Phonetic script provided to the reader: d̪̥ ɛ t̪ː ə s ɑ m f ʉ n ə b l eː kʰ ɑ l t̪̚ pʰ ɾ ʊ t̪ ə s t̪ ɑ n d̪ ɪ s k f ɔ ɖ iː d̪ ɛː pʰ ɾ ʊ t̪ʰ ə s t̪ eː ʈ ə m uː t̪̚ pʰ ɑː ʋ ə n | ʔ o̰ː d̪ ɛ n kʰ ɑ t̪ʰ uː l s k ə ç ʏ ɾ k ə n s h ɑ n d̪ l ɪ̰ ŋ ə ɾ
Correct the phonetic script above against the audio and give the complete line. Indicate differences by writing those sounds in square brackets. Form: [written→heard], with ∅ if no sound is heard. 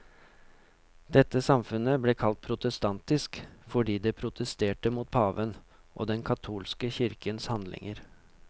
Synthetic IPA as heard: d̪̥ ɛ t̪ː ə s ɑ m f ʉ n ə b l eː kʰ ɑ l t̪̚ pʰ ɾ ʊ t̪ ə s t̪ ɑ n [d̪→t̪] ɪ s k f ɔ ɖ iː d̪ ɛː pʰ ɾ ʊ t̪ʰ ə s t̪ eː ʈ ə m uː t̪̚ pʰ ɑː ʋ ə n | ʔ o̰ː d̪ ɛ n kʰ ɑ t̪ʰ uː l s k ə ç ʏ ɾ k ə n s h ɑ n d̪ l ɪ̰ ŋ ə ɾ